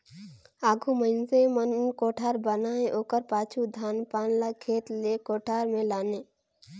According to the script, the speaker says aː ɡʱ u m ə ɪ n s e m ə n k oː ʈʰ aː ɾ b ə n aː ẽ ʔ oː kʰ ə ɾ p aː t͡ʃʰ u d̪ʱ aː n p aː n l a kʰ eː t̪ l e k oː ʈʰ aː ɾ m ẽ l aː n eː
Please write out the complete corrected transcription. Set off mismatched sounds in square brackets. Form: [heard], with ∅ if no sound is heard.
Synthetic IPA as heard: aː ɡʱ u m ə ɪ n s e m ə n k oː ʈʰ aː ɾ b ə n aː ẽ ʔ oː [k] ə ɾ p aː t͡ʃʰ u d̪ʱ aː n p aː n l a kʰ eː t̪ l e k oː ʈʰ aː ɾ m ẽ l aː n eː

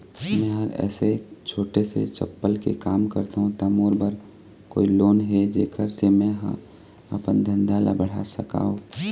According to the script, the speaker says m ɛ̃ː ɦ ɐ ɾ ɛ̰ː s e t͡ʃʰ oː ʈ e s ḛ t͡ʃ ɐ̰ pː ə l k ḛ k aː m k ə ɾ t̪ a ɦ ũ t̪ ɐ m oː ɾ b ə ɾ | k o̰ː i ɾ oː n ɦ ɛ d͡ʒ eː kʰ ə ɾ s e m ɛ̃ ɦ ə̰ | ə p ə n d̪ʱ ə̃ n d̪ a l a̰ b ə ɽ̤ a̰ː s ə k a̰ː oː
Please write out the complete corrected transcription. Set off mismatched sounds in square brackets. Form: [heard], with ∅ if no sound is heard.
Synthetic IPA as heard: m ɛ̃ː ɦ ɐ ɾ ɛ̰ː s e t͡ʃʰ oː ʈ e s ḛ t͡ʃ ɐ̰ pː ə l k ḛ k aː m k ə ɾ t̪ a ɦ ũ t̪ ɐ m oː ɾ b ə ɾ | k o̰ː i [l] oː n ɦ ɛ d͡ʒ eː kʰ ə ɾ s e m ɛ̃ ɦ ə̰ | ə p ə n d̪ʱ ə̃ n d̪ a l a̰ b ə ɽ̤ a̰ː s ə k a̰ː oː

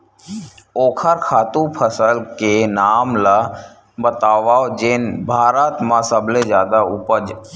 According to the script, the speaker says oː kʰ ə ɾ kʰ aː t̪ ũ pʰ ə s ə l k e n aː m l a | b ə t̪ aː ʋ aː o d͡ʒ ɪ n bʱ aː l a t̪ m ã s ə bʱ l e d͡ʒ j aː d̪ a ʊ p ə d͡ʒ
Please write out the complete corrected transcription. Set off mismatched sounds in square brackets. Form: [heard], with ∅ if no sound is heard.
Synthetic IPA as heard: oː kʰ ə ɾ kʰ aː t̪ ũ pʰ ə s ə l k e n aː m l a | b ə t̪ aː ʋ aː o d͡ʒ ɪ n bʱ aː [ɾ] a t̪ m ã s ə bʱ l e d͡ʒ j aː d̪ a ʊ p ə d͡ʒ

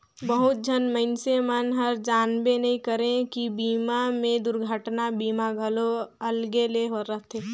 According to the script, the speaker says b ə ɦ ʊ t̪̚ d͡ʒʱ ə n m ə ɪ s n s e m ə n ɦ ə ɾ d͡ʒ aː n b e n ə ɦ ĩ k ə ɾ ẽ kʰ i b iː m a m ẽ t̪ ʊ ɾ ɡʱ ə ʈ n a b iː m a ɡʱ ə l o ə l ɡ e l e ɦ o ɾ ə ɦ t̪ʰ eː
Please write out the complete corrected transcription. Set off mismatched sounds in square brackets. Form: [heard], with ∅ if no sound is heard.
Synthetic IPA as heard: b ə ɦ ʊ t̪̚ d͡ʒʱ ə n m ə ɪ [∅] n s e m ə n ɦ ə ɾ d͡ʒ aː n b e n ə ɦ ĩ k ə ɾ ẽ [k] i b iː m a m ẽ [d̪] ʊ ɾ ɡʱ ə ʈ n a b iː m a ɡʱ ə l o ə l ɡ e l e ɦ o ɾ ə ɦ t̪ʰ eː

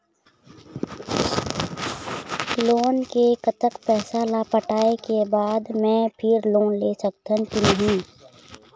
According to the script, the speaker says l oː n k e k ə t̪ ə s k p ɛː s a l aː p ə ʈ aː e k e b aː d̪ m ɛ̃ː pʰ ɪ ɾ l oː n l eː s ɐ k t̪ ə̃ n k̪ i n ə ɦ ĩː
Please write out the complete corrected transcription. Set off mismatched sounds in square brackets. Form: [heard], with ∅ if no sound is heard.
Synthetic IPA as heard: l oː n k e k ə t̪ ə [∅] k p ɛː s a l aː p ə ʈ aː e k e b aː d̪ m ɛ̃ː pʰ ɪ ɾ l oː n l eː s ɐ k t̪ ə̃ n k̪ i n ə ɦ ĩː

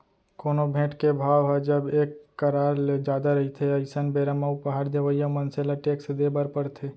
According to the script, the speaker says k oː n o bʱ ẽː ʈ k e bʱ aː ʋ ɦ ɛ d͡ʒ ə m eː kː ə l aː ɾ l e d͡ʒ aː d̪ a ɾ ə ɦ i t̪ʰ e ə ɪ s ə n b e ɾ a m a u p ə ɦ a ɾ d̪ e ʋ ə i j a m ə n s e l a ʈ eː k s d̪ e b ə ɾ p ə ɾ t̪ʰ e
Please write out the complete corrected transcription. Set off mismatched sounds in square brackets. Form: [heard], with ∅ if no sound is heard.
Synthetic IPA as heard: k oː n o bʱ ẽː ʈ k e bʱ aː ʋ ɦ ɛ d͡ʒ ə [b] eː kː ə [ɾ] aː ɾ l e d͡ʒ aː d̪ a ɾ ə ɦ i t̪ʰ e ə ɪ s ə n b e ɾ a m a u p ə ɦ a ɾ d̪ e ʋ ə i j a m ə n s e l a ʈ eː k s d̪ e b ə ɾ p ə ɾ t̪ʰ e

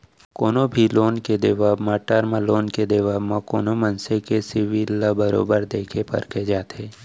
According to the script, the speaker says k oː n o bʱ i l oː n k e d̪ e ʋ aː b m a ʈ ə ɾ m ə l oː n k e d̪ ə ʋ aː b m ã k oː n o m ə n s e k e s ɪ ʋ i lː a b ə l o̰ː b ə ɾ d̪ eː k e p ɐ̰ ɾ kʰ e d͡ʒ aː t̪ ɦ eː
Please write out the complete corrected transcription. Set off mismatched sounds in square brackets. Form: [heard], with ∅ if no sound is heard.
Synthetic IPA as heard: k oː n o bʱ i l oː n k e d̪ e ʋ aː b m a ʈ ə ɾ m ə l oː n k e d̪ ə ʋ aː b m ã k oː n o m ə n s e k e s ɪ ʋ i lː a b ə [ɾ] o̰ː b ə ɾ d̪ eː [kʰ] e p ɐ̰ ɾ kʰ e d͡ʒ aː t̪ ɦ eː

